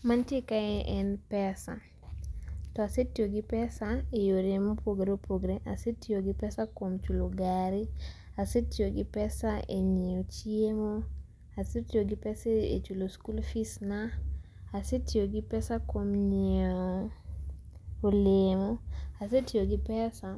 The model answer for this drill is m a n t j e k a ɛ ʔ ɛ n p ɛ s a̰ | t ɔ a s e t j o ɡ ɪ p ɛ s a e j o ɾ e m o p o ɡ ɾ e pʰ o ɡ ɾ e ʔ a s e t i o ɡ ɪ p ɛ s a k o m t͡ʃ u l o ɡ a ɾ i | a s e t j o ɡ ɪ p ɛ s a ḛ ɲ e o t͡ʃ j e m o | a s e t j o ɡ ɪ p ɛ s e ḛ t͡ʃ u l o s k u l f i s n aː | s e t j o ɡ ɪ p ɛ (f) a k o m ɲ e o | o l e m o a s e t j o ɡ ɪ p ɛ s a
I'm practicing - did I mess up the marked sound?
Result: yes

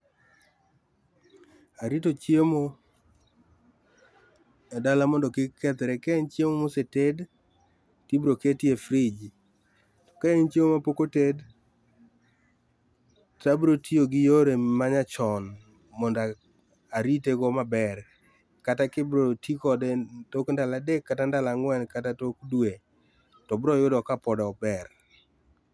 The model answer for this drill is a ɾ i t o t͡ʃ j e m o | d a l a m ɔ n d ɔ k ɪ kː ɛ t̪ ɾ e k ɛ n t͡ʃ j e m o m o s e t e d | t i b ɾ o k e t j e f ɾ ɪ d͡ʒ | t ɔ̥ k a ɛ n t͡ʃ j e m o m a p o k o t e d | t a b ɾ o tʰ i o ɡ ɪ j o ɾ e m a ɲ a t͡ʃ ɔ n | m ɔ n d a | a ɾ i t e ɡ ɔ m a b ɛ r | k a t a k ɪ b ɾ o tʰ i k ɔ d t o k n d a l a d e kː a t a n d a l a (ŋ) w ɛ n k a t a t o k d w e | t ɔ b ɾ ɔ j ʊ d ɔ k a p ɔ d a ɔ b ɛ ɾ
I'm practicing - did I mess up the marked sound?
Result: no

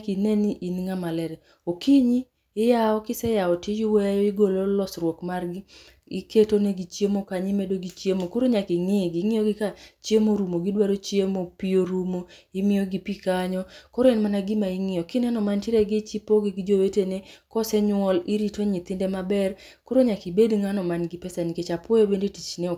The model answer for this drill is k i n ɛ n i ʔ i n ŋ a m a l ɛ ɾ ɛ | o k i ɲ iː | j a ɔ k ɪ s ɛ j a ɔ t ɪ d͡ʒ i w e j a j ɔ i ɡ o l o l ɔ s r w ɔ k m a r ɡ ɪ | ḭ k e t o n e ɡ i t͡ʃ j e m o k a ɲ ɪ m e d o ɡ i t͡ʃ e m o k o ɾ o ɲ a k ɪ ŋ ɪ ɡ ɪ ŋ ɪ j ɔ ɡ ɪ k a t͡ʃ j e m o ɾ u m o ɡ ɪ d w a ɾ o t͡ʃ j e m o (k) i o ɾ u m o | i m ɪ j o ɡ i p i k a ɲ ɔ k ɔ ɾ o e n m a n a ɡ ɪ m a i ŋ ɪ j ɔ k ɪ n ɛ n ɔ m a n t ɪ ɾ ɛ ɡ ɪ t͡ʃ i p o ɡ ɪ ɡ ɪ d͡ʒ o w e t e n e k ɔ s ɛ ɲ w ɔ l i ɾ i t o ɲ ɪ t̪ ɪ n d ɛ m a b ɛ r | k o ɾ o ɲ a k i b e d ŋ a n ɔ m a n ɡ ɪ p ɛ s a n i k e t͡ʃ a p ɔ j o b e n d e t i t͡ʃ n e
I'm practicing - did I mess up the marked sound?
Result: yes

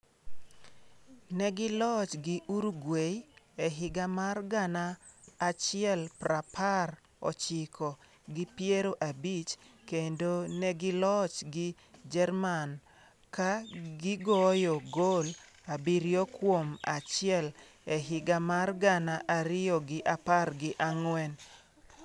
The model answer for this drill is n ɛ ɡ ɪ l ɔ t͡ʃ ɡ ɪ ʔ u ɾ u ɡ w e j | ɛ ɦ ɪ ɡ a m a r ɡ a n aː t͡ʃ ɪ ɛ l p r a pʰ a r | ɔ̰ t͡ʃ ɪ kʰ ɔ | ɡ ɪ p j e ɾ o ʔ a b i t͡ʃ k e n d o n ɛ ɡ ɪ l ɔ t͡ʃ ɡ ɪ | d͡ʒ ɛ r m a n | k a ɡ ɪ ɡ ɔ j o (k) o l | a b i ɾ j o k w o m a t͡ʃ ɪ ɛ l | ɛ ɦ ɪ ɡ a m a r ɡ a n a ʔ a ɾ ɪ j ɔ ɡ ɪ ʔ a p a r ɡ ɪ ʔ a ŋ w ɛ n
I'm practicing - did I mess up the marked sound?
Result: yes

